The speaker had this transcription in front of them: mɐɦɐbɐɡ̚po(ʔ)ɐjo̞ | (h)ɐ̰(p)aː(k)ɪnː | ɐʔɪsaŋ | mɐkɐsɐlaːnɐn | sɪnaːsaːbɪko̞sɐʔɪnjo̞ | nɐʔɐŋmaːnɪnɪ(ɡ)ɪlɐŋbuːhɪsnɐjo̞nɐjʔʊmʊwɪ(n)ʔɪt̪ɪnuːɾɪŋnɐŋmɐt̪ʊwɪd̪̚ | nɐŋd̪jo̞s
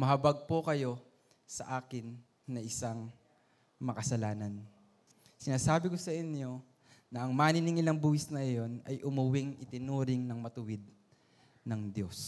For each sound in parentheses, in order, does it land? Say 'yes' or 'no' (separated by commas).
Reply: no, no, no, yes, no, no